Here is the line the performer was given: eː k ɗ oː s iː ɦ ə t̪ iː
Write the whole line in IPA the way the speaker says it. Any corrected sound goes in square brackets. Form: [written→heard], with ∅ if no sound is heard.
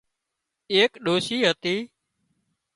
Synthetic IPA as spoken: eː k ɗ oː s iː ɦ ə t̪ iː